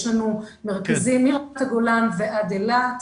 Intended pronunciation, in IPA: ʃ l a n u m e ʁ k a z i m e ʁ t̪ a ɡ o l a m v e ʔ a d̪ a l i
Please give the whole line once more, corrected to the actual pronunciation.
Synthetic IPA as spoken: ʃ l a n u m e ʁ k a z i m i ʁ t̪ a ɡ o l a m v e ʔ a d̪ e l a